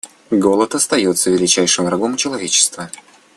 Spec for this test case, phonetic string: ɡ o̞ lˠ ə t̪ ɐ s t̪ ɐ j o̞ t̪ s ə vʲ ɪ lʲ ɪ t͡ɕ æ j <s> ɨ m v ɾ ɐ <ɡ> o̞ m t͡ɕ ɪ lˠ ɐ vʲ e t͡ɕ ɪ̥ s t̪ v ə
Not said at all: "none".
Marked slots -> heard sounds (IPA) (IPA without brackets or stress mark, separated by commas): ʂ, ɡ